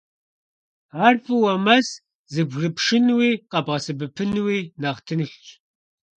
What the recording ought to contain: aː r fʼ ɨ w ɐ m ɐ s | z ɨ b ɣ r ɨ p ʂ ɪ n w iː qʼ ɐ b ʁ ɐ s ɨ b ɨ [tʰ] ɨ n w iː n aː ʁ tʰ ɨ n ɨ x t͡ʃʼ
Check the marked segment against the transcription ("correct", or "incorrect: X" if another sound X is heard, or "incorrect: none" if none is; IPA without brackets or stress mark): incorrect: pʰ